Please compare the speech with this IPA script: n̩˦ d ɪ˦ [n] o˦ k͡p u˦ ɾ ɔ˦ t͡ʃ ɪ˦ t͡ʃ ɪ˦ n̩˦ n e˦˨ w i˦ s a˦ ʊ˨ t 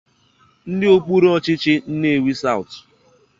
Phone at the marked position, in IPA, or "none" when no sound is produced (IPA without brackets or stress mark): none